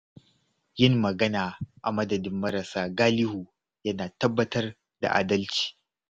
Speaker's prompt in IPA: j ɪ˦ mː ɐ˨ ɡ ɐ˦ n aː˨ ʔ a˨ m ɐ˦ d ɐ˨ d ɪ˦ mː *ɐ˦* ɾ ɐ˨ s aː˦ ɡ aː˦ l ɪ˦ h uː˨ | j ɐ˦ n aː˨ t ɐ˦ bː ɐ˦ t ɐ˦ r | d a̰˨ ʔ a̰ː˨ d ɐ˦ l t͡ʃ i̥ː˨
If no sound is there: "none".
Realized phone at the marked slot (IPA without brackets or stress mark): ɐ˦